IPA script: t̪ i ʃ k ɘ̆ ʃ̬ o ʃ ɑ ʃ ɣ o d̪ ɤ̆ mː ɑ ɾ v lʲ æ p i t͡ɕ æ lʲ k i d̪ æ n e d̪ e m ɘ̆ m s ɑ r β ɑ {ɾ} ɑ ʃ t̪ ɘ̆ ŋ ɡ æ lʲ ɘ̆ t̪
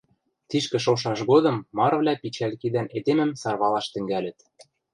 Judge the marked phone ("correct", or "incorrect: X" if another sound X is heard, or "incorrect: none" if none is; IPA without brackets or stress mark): incorrect: l